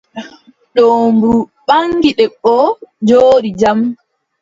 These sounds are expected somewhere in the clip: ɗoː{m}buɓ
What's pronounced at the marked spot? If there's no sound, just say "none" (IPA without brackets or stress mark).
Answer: m